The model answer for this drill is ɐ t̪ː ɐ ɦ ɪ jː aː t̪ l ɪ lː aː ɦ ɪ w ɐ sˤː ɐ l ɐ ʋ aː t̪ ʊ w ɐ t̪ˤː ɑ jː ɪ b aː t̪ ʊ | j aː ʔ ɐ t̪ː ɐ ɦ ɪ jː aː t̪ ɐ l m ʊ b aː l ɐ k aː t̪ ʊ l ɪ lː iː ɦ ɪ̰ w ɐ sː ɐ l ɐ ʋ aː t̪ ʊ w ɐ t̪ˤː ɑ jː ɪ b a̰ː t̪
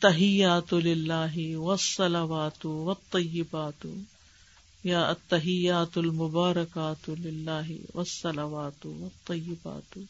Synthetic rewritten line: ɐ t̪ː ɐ ɦ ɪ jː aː t̪ l ɪ lː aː ɦ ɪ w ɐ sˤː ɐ l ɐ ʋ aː t̪ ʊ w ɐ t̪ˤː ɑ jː ɪ b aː t̪ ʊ | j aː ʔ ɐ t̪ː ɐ ɦ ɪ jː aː t̪ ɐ l m ʊ b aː ɾ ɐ k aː t̪ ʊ l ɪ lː aː ɦ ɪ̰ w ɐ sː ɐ l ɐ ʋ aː t̪ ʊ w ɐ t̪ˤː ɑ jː ɪ b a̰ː t̪